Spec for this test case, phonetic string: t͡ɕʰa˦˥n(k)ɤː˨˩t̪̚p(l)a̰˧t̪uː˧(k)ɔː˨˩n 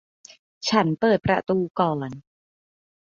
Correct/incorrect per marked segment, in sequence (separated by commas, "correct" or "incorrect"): incorrect, incorrect, correct